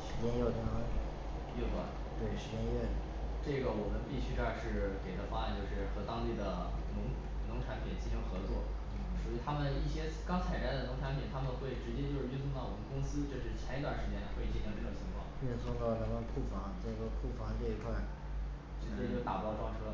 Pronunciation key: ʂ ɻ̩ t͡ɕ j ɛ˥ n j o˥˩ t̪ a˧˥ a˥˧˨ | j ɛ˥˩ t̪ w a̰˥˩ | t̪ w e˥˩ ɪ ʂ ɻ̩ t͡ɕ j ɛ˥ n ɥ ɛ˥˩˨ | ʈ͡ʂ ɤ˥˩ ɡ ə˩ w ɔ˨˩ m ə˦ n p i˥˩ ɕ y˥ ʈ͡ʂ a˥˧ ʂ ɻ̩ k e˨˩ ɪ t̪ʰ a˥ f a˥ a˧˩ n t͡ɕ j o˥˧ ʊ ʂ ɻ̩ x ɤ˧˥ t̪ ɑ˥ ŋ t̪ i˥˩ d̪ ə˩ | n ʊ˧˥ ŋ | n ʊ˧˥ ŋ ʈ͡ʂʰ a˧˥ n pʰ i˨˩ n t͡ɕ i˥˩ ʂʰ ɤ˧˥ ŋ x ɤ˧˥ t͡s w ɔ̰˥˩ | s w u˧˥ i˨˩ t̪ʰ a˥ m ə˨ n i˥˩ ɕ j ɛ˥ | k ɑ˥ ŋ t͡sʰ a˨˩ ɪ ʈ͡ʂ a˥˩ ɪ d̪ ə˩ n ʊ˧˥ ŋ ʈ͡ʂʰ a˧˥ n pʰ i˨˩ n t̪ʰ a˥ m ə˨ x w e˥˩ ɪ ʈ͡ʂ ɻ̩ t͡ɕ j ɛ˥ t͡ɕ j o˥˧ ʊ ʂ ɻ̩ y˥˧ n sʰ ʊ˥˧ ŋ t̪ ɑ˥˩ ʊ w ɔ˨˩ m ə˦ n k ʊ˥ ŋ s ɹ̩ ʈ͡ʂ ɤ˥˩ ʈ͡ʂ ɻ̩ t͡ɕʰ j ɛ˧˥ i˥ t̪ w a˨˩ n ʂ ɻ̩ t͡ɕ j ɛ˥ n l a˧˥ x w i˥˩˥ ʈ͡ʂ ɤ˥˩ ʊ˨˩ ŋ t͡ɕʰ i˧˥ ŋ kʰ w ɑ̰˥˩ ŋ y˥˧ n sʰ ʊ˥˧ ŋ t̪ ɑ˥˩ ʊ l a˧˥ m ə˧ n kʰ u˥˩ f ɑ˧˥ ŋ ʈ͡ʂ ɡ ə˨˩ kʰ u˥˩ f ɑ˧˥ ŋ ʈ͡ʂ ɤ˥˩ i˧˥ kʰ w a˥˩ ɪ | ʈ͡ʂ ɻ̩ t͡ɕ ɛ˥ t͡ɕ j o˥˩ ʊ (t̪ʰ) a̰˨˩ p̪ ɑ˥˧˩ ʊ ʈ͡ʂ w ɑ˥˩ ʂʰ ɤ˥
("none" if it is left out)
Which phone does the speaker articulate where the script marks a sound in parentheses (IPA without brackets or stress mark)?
t̪